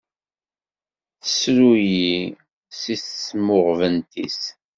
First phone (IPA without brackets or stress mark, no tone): θ